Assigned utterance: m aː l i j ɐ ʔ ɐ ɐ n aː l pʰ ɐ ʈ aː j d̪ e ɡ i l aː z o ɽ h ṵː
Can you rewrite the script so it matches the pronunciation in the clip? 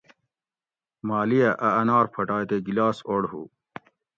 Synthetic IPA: m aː l i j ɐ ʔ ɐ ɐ n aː ɾ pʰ ɐ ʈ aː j t̪ e ɡ i l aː s o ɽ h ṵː